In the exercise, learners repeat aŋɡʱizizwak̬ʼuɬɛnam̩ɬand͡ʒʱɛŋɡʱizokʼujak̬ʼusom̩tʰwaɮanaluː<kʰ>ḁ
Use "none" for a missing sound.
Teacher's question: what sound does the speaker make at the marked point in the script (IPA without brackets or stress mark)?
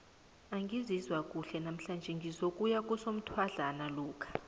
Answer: kʰ